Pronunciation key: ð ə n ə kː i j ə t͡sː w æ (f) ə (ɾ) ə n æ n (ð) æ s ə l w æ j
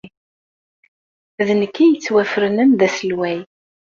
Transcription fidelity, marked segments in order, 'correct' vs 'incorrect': correct, correct, correct

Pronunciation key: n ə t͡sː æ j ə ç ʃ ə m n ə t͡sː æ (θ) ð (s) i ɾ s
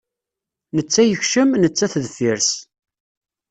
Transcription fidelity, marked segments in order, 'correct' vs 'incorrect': correct, incorrect: f

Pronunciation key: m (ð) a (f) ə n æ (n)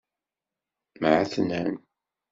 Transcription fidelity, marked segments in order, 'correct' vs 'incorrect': incorrect: ʕ, incorrect: θ, correct

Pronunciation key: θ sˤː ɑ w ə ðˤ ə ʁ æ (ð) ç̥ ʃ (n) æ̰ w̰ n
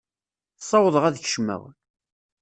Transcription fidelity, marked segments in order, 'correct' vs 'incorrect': correct, incorrect: m

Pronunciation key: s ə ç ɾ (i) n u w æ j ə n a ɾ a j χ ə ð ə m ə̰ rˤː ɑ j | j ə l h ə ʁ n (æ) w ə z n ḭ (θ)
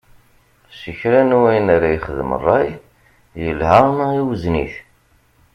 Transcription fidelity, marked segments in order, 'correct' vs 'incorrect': incorrect: æ, incorrect: i, correct

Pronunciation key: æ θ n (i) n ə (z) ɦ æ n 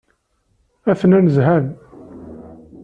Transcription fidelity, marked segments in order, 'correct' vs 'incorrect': incorrect: æ, correct

